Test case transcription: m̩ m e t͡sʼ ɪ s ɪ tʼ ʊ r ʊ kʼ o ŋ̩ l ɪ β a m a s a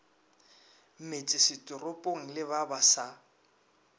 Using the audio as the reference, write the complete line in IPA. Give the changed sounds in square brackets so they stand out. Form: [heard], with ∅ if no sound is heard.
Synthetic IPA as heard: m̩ m e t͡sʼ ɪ s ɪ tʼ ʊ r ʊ [pʼ] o ŋ̩ l ɪ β a [b] a s a